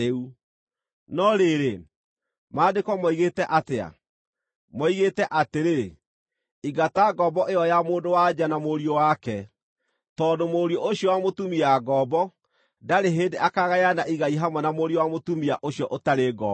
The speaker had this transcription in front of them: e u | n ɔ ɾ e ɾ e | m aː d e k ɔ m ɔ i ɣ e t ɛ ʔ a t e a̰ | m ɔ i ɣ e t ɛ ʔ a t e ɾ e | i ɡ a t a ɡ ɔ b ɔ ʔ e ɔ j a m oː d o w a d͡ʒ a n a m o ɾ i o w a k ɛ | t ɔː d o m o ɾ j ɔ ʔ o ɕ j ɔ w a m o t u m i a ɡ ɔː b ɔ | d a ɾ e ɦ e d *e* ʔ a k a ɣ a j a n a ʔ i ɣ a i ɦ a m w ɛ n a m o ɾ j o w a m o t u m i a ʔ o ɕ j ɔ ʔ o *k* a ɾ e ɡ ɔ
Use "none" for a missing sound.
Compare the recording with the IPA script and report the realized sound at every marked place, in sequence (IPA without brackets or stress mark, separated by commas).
e, t